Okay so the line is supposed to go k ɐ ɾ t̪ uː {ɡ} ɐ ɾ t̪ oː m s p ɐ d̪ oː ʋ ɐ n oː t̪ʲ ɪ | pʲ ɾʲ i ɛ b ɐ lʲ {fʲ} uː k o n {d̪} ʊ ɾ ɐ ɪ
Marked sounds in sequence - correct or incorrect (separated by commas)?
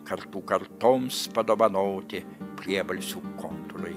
incorrect, incorrect, incorrect